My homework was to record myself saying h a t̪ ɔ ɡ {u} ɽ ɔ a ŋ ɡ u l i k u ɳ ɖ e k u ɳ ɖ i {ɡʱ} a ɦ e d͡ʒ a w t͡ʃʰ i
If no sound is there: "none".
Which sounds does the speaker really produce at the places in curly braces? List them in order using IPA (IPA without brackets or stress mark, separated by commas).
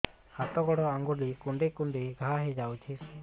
ɔ, ɡʱ